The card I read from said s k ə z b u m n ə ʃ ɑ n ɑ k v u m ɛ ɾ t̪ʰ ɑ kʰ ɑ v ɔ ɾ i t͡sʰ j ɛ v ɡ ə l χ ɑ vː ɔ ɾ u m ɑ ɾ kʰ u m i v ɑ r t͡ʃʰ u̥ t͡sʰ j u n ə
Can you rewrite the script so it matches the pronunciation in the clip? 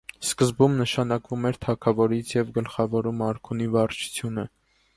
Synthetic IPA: s k ə z b u m n ə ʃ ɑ n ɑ k v u m ɛ ɾ t̪ʰ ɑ kʰ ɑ v ɔ ɾ i t͡sʰ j ɛ v ɡ ə l χ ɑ v ɔ ɾ u m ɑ ɾ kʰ u n i v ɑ r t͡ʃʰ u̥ t͡sʰ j u n ə

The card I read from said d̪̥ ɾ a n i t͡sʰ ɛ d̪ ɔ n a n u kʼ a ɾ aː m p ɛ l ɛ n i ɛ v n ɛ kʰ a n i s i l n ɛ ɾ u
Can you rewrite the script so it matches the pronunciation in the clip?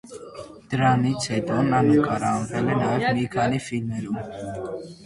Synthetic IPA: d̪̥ ɾ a n i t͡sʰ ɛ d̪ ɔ n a n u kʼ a ɾ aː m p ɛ l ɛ n a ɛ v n i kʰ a n i f i l m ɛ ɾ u

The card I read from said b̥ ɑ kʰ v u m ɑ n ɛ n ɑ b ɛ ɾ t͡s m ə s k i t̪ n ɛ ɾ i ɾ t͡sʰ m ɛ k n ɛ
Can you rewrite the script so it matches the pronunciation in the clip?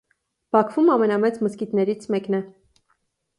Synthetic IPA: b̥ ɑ kʰ v u m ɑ m ɛ n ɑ m ɛ t͡s m ə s k i t̪ n ɛ ɾ i t͡sʰ m ɛ k n ɛ

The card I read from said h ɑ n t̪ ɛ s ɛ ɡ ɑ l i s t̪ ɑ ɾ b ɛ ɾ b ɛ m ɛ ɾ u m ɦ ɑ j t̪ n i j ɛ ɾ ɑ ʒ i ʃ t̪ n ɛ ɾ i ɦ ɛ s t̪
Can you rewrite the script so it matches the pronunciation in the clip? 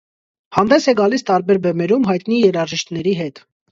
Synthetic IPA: h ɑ n d̪ ɛ s ɛ ɡ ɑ l i s t̪ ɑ ɾ b ɛ ɾ b ɛ m ɛ ɾ u m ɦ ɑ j t̪ n i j ɛ ɾ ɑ ʒ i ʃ t̪ n ɛ ɾ i ɦ ɛ t̪

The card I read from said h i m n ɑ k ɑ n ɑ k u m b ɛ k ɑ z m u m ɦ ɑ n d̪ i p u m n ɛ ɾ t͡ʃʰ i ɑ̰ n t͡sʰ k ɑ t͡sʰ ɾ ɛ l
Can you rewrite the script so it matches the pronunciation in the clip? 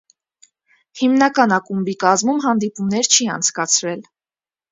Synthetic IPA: h i m n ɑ k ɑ n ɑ k u m b i k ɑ z m u m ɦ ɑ n d̪ i p u m n ɛ ɾ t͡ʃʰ i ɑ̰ n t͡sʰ k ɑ t͡sʰ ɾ ɛ l

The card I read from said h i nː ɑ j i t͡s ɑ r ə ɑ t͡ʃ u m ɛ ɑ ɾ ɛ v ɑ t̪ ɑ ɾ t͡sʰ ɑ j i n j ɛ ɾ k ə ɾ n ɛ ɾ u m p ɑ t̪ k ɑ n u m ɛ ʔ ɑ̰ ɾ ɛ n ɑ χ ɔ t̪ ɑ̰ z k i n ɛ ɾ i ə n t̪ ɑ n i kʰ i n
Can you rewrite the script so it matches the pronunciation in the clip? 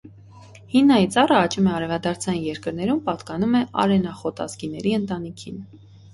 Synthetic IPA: h i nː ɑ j i t͡s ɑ r ə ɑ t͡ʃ u m ɛ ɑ ɾ ɛ v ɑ d̪ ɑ ɾ t͡sʰ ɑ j i n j ɛ ɾ k ə ɾ n ɛ ɾ u m p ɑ t̪ k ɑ n u m ɛ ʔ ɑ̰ ɾ ɛ n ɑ χ ɔ t̪ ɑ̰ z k i n ɛ ɾ i ə n t̪ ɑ n i kʰ i n

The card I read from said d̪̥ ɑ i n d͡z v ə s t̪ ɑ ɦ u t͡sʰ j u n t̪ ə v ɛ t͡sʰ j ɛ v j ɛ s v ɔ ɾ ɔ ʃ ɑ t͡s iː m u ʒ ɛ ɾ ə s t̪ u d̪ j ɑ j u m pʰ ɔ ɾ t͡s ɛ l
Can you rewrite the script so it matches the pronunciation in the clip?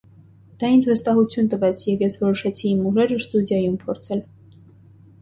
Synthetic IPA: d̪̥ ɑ i n d͡z v ə s t̪ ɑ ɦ u t͡sʰ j u n t̪ ə v ɛ t͡sʰ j ɛ v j ɛ s v ɔ ɾ ɔ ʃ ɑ t͡sʰ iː m u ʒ ɛ ɾ ə s t̪ u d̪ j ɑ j u m pʰ ɔ ɾ t͡sʰ ɛ l

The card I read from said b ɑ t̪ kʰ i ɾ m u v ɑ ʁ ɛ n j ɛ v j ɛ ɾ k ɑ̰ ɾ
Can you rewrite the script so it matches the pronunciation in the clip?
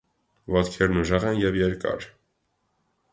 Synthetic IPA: v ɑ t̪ kʰ ɛ ɾ n u ʒ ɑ ʁ ɛ n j ɛ v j ɛ ɾ k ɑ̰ ɾ

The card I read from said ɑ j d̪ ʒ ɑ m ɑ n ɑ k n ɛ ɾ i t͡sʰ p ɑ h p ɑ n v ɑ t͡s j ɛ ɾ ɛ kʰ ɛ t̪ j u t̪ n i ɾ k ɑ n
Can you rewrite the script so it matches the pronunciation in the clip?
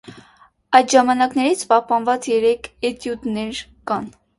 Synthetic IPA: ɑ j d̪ ʒ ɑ m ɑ n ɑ k n ɛ ɾ i t͡sʰ p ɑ h p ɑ n v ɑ t͡s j ɛ ɾ ɛ kʰ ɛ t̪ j u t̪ n ɛ ɾ k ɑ n

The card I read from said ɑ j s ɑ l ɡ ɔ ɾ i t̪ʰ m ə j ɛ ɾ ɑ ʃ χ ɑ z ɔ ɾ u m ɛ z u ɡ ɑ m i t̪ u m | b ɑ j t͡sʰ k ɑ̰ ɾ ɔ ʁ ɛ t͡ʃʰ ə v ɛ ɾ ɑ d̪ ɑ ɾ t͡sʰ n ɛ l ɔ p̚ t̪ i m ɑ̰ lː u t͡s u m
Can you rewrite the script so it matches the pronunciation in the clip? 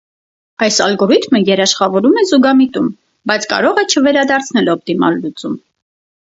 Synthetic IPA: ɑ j s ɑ l ɡ ɔ ɾ i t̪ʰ m ə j ɛ ɾ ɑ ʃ χ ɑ v ɔ ɾ u m ɛ z u ɡ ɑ m i t̪ u m | b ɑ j t͡sʰ k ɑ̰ ɾ ɔ ʁ ɛ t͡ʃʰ ə v ɛ ɾ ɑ d̪ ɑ ɾ t͡sʰ n ɛ l ɔ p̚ t̪ i m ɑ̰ lː u t͡s u m

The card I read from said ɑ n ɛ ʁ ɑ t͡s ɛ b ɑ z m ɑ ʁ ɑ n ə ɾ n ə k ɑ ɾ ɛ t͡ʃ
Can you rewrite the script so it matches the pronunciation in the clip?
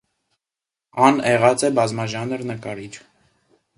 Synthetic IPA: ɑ n ɛ ʁ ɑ t͡s ɛ b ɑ z m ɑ ʒ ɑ n ə ɾ n ə k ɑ ɾ i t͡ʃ

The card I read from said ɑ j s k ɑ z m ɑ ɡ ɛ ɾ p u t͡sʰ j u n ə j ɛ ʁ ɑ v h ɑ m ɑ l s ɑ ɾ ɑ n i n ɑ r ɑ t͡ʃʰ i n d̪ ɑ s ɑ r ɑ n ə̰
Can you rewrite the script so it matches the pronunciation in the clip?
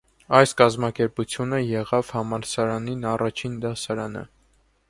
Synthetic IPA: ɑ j s k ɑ z m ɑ k ɛ ɾ p u t͡sʰ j u n ə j ɛ ʁ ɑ v h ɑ m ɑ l s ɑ ɾ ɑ n i n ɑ r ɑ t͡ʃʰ i n d̪ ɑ s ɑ ɾ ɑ n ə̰

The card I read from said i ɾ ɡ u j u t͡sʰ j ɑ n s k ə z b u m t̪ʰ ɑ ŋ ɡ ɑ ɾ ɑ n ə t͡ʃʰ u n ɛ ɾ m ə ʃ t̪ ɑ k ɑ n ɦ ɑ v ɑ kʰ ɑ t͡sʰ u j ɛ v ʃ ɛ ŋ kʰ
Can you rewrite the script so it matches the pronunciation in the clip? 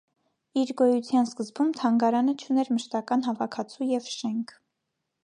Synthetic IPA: i ɾ ɡ ɔ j u t͡sʰ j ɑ n s k ə z b u m t̪ʰ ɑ ŋ ɡ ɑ ɾ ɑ n ə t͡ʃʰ u n ɛ ɾ m ə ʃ t̪ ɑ k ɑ n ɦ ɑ v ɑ kʰ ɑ t͡sʰ u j ɛ v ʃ ɛ ŋ kʰ

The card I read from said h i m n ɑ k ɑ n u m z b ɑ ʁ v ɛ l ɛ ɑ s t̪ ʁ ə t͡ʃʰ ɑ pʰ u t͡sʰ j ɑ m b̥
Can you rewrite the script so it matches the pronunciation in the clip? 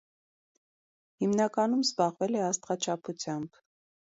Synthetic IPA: h i m n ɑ k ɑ n u m z b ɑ ʁ v ɛ l ɛ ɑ s t̪ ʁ ɑ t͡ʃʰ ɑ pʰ u t͡sʰ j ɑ m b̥

